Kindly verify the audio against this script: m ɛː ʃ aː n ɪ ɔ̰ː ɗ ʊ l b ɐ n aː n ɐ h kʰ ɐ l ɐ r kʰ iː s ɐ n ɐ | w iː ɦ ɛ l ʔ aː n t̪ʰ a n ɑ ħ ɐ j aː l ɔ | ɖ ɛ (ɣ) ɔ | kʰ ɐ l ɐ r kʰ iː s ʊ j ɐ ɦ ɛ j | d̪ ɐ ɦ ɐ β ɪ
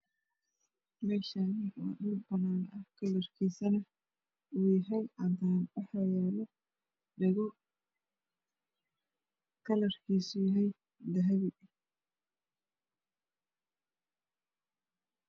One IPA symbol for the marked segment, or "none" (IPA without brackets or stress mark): ɣ